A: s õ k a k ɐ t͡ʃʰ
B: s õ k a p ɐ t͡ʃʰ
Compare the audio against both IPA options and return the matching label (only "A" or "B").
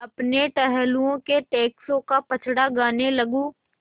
B